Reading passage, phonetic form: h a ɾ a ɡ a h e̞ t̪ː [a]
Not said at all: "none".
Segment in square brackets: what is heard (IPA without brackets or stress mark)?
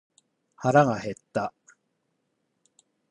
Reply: a